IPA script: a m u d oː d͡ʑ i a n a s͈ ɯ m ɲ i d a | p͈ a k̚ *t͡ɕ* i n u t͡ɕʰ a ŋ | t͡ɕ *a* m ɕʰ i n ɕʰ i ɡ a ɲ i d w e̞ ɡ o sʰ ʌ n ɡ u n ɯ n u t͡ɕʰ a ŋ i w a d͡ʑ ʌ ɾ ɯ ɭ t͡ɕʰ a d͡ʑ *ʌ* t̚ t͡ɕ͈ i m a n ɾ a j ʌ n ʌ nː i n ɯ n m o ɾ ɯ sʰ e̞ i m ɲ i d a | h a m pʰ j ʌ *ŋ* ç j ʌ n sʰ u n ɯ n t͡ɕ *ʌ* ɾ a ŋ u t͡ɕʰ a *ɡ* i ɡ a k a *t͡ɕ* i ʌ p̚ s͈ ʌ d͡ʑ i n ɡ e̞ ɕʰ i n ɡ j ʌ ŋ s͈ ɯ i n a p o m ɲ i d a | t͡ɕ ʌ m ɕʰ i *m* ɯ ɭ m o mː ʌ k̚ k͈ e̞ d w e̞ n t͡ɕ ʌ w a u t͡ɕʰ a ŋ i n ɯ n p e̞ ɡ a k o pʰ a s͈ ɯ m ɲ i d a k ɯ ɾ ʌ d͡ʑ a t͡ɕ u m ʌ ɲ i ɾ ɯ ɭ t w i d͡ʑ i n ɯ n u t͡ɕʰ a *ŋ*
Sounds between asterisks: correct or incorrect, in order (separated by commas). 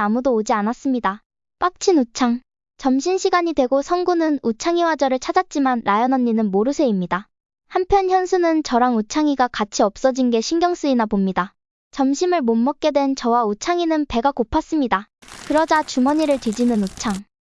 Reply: incorrect, incorrect, incorrect, incorrect, correct, incorrect, incorrect, correct, correct